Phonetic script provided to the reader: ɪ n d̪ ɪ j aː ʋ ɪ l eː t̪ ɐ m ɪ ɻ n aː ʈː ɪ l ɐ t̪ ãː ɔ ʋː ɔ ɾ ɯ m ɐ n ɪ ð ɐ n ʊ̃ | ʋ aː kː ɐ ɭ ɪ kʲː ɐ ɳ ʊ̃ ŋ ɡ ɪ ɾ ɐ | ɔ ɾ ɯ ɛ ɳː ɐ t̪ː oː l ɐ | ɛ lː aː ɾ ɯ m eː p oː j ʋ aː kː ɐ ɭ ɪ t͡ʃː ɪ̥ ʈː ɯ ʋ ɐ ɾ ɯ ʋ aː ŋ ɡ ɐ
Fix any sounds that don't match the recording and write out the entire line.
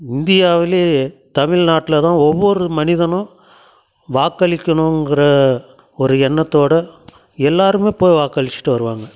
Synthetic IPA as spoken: ɪ n d̪ ɪ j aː ʋ ɪ l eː t̪ ɐ m ɪ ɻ n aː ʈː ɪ l ɐ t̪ ãː ɔ ʋː ɔ ɾ ɯ m ɐ n ɪ ð ɐ n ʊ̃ | ʋ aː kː ɐ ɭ ɪ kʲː ɐ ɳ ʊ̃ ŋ ɡ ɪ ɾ ɐ | ɔ ɾ ɯ ɛ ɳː ɐ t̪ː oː ɽ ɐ | ɛ lː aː ɾ ɯ m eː p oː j ʋ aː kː ɐ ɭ ɪ t͡ʃː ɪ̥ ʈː ɯ ʋ ɐ ɾ ɯ ʋ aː ŋ ɡ ɐ